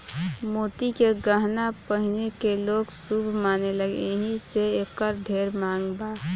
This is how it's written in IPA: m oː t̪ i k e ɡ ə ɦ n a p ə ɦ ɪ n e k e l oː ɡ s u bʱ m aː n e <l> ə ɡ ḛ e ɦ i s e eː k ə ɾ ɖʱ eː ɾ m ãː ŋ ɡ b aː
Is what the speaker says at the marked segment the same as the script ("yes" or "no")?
yes